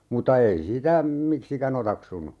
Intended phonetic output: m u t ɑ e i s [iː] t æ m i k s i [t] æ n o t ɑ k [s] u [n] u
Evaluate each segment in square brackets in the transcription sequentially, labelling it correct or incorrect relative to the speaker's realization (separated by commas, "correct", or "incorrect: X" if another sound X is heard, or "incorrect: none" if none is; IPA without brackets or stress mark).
incorrect: i, incorrect: k, correct, correct